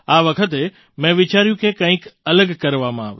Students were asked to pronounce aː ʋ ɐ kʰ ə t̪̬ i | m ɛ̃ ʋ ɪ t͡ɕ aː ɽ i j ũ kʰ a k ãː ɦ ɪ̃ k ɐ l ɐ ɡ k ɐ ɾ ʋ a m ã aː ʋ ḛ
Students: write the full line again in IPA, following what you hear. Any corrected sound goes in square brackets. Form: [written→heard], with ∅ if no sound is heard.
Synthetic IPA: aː ʋ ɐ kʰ ə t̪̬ [i→e] | m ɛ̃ ʋ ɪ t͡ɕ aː [ɽ→ɾ] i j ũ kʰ [a→e] k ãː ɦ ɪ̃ k ɐ l [ɐ→ə] ɡ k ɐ ɾ ʋ a m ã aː ʋ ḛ